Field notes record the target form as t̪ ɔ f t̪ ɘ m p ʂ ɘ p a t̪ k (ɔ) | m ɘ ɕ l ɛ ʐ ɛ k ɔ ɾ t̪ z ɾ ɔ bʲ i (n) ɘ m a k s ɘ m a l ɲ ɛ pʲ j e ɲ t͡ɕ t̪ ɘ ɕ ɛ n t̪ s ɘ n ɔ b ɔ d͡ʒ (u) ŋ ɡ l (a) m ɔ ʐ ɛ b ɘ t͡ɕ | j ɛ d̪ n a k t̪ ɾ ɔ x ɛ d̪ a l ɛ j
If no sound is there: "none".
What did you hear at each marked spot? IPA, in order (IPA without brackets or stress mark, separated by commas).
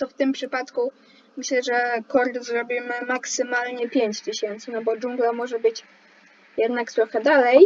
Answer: u, m, u, a